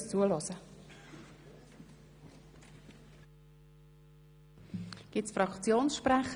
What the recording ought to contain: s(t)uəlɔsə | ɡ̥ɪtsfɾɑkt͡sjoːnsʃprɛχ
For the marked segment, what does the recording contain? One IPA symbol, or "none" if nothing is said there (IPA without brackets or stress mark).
t͡s